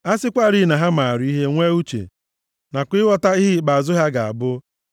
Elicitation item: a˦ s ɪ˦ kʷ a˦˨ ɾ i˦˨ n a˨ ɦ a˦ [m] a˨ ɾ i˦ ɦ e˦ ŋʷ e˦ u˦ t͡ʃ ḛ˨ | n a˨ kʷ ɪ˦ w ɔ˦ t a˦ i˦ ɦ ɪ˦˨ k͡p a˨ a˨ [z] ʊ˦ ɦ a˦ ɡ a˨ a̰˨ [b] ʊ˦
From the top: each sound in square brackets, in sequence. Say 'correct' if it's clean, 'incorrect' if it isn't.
correct, correct, correct

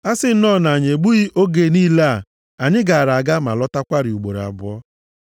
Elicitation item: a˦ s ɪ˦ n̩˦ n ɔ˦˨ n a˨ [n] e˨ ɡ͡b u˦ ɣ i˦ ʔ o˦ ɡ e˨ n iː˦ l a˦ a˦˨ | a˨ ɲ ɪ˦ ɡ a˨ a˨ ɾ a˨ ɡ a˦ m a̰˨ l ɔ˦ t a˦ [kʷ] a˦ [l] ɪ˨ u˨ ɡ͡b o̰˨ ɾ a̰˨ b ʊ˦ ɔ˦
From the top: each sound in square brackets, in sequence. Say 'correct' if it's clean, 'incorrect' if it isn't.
incorrect: ɲ, correct, incorrect: ɾ

